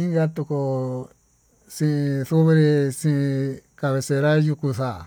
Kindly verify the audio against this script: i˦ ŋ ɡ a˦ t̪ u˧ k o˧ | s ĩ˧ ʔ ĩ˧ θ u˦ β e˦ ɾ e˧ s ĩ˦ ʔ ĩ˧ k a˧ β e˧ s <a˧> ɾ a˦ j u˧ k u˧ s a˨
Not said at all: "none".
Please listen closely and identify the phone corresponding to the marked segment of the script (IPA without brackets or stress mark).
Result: e˧